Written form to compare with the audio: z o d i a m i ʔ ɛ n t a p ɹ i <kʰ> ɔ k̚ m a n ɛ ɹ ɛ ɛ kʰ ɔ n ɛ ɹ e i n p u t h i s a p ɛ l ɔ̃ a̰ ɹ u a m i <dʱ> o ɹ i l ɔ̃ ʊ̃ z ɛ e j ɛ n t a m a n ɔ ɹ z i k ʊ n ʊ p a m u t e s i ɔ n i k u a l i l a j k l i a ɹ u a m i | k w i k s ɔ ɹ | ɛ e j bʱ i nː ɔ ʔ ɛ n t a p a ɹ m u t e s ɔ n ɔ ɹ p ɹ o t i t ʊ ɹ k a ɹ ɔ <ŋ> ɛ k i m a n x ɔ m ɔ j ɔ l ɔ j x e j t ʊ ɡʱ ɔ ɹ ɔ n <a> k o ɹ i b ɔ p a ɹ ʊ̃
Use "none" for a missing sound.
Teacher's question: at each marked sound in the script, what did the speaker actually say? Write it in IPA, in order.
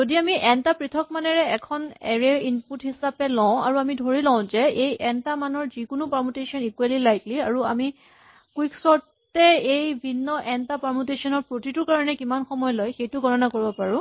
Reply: tʰ, dʱ, n, a

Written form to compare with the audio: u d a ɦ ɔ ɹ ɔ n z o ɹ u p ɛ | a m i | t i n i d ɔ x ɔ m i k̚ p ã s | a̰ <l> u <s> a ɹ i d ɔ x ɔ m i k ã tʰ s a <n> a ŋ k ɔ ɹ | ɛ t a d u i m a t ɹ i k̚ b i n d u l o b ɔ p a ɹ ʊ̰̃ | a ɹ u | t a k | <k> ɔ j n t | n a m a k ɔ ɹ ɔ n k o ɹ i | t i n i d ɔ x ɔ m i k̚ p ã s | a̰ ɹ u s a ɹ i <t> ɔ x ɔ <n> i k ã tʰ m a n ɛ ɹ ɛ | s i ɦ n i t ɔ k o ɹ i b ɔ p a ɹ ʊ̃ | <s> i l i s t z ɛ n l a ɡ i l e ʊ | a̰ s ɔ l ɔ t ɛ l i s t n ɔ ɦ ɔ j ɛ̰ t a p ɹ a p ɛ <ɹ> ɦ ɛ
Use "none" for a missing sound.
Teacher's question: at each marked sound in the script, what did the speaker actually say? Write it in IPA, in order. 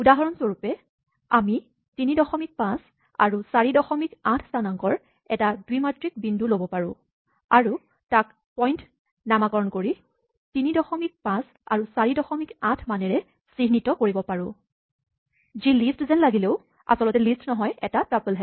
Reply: ɹ, s, n, p, d, m, z, l

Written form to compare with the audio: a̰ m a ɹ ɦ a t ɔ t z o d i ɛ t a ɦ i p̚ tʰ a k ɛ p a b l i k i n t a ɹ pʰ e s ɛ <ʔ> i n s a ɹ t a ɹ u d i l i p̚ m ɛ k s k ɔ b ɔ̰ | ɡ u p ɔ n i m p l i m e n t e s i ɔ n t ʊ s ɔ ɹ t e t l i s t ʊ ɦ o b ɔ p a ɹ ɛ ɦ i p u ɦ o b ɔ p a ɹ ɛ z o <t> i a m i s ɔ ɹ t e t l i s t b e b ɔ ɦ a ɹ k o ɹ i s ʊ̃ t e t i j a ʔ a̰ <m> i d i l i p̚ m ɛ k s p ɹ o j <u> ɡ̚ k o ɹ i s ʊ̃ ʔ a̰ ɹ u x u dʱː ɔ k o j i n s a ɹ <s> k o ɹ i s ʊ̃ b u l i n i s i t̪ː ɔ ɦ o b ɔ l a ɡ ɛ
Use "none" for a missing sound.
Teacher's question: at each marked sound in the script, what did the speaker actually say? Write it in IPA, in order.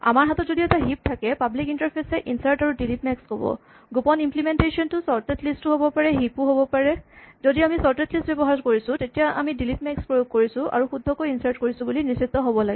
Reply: ʔ, d, m, o, t

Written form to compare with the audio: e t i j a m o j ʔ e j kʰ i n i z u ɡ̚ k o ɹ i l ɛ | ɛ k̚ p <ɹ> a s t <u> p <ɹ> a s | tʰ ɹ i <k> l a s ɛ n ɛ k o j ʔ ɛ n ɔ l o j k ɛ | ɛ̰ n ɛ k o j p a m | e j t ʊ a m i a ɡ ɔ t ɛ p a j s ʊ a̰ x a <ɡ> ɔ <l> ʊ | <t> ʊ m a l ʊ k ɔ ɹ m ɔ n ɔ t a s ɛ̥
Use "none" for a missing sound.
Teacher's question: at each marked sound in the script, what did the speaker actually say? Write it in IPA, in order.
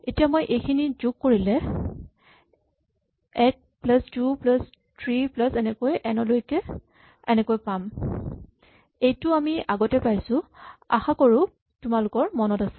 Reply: l, u, l, p, k, ɹ, t

